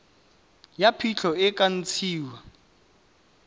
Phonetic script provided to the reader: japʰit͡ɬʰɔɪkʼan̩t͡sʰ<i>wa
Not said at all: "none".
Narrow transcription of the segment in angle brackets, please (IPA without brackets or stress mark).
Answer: iː